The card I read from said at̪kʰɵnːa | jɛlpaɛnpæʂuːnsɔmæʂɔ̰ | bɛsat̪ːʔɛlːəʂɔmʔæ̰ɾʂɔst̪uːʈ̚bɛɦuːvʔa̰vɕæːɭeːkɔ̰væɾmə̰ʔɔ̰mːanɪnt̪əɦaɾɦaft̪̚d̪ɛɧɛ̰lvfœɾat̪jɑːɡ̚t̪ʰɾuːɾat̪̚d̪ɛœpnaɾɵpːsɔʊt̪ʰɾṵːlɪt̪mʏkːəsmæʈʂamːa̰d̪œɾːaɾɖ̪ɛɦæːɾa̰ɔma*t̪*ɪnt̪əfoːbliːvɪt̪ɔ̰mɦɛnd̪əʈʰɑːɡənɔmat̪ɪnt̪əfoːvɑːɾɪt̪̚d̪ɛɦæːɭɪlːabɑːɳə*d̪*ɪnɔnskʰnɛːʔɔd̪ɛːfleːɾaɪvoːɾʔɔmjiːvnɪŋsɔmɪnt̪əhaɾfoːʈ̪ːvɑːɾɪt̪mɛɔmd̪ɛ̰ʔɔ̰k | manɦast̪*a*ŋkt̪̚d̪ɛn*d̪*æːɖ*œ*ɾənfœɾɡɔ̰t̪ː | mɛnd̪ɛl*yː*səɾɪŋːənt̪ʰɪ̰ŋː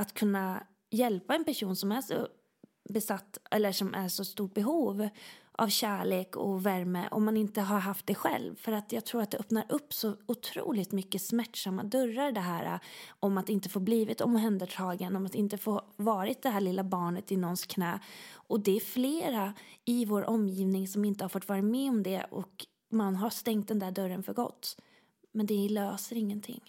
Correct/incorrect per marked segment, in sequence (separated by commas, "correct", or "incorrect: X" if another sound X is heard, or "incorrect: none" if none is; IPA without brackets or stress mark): correct, incorrect: t̪, incorrect: ɛ, correct, correct, incorrect: øː